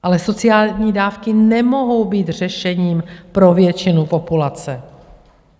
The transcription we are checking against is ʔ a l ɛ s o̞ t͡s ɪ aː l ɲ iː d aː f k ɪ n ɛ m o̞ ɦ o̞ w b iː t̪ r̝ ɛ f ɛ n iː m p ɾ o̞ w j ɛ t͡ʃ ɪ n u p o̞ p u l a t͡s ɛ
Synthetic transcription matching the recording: ʔ a l ɛ s o̞ t͡s ɪ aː l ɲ iː d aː f k ɪ n ɛ m o̞ ɦ o̞ w b iː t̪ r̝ ɛ ʃ ɛ ɲ iː m p ɾ o̞ v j ɛ t͡ʃ ɪ n u p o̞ p u l a t͡s ɛ